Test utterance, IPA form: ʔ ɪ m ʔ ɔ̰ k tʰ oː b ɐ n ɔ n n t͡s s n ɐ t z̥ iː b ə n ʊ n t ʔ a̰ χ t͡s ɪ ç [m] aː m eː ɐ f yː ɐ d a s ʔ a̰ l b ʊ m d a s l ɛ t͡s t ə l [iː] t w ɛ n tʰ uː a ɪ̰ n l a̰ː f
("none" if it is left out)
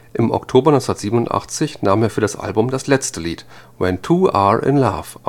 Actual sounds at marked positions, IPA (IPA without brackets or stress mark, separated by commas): n, iː